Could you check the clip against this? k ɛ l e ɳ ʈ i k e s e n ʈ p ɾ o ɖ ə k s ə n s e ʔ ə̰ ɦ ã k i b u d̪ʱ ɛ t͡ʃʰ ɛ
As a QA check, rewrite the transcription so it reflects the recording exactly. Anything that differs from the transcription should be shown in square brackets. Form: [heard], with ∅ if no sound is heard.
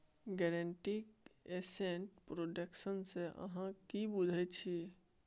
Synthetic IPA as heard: [ɡ] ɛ [ɾ] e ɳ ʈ i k e s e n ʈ p ɾ o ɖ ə k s ə n s e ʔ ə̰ ɦ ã k i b u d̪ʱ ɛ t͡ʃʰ [i]